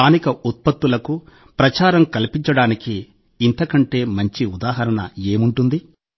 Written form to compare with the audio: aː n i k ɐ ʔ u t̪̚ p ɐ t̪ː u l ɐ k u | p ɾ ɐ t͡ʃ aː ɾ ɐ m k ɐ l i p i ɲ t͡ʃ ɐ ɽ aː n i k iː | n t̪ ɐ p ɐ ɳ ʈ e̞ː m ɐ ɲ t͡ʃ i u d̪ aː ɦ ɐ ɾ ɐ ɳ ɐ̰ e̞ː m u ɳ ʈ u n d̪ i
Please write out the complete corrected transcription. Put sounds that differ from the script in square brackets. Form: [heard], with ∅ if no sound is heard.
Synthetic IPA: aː n i k ɐ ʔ u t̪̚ p ɐ t̪ː u l ɐ k u | p ɾ ɐ t͡ʃ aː ɾ ɐ m k ɐ l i p i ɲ t͡ʃ ɐ ɽ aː n i k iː | n t̪ ɐ [k] ɐ ɳ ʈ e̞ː m ɐ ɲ t͡ʃ i u d̪ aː ɦ ɐ ɾ ɐ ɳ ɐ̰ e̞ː m u ɳ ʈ u n d̪ i